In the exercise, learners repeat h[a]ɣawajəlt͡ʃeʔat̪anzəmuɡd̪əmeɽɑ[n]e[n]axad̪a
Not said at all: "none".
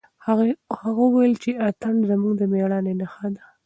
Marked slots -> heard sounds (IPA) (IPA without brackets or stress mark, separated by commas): a, n, n